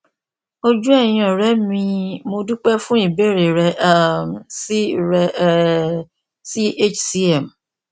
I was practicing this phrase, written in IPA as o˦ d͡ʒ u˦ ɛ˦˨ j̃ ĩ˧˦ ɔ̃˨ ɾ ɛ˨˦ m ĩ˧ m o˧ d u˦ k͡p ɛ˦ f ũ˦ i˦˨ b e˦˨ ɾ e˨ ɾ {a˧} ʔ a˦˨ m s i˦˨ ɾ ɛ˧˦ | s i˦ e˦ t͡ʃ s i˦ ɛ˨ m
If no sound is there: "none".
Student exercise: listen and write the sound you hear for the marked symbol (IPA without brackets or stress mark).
ɛ˧